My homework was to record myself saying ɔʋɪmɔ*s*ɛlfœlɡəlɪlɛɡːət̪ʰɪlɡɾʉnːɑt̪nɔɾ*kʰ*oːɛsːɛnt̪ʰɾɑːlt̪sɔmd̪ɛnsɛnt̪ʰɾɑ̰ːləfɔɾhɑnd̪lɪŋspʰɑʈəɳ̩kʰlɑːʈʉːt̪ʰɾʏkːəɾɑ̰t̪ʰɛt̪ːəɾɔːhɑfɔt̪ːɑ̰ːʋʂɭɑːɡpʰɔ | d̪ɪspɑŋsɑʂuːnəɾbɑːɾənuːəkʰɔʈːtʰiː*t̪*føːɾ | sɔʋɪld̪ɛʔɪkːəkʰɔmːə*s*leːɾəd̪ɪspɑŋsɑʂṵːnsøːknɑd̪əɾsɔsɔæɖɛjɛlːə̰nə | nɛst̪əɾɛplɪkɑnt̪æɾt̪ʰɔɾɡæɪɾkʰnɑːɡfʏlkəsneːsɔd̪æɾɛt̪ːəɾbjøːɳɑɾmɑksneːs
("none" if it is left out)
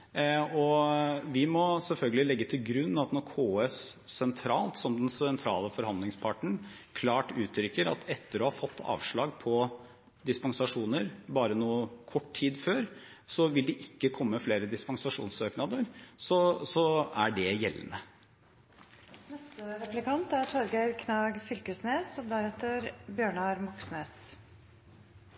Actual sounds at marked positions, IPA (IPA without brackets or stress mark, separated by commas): s, kʰ, d̪, f